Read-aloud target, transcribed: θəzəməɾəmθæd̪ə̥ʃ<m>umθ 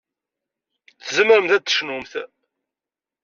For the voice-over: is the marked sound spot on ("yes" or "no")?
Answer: no